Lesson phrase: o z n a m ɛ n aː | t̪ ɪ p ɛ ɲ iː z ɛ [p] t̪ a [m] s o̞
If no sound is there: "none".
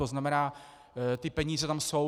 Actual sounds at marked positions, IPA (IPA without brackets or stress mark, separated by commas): none, m